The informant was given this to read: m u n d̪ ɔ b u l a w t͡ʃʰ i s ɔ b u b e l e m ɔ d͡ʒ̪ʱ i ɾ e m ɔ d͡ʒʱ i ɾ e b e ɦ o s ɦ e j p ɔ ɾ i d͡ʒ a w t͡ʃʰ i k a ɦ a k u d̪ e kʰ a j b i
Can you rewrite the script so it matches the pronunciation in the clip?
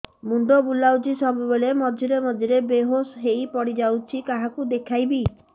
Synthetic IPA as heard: m u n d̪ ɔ b u l a w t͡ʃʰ i s ɔ b u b e ɭ e m ɔ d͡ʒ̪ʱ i ɾ e m ɔ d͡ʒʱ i ɾ e b e ɦ o s ɦ e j p ɔ ɽ i d͡ʒ a w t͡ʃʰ i k a ɦ a k u d̪ e kʰ a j b i